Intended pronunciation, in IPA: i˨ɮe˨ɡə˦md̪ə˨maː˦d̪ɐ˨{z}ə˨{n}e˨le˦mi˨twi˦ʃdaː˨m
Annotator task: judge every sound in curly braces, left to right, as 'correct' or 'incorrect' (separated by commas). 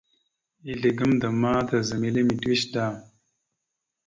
correct, incorrect